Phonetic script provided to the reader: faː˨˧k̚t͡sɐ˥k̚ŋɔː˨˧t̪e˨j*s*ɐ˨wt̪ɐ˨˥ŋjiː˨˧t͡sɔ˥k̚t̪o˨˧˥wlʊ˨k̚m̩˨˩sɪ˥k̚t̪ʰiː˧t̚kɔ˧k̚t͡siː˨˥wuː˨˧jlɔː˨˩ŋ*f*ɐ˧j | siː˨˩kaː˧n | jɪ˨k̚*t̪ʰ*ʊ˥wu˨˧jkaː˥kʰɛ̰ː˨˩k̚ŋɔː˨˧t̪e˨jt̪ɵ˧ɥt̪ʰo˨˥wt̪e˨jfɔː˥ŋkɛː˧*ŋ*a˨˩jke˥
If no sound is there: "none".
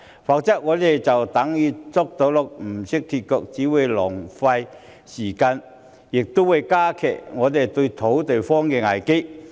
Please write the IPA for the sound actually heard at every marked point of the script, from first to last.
t͡s, f, t̪, ŋ

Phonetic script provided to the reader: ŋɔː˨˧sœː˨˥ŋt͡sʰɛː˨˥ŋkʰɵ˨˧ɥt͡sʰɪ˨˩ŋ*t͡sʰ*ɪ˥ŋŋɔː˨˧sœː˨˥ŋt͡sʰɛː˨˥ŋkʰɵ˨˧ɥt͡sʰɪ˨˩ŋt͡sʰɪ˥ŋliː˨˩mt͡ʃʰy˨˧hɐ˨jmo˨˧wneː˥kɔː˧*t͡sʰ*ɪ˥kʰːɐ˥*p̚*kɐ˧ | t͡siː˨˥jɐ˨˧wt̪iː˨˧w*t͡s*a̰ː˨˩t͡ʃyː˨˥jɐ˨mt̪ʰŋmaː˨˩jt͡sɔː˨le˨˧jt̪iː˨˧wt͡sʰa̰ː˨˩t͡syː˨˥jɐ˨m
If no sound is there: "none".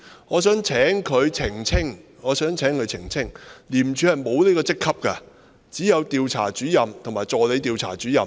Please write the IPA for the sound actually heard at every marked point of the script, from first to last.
t͡sʰ, t͡s, p̚, t͡sʰ

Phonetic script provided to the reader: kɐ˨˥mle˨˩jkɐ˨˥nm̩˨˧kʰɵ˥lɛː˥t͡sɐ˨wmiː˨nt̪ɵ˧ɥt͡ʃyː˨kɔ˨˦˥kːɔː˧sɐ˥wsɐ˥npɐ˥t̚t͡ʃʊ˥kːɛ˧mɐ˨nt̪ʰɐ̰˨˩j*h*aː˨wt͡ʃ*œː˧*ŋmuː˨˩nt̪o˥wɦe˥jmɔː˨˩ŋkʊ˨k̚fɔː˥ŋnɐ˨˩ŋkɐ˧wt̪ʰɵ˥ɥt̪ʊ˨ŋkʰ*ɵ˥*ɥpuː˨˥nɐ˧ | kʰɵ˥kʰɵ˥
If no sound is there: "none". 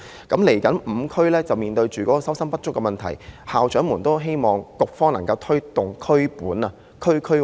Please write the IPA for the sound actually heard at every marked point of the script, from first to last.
h, œː˨˥, ɵ˥

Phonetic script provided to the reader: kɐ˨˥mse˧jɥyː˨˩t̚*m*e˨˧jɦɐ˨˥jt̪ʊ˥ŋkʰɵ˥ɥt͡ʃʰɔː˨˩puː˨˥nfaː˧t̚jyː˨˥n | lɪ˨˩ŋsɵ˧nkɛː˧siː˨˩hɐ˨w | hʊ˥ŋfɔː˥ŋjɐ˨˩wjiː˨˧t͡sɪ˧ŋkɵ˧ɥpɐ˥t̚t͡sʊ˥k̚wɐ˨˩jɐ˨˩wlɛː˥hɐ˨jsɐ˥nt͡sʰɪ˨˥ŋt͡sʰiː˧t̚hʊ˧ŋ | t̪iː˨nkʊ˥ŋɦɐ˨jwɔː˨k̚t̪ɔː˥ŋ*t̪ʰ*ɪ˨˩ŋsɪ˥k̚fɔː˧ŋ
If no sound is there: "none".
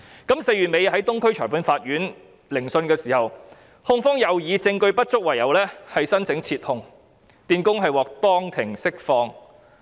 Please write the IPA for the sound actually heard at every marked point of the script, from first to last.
m, t̪ʰ

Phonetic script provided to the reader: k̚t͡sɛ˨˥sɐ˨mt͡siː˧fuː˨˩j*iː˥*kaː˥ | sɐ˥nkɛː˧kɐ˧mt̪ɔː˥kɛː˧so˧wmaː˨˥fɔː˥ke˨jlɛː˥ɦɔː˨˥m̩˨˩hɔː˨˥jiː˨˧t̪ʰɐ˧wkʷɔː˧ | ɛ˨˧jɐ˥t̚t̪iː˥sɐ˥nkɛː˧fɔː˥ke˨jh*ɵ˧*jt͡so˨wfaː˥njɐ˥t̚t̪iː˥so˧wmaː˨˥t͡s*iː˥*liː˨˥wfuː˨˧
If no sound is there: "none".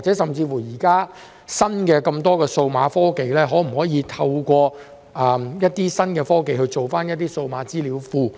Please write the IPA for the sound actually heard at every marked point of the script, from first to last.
iː˨˩, ɵ˧, iː˥

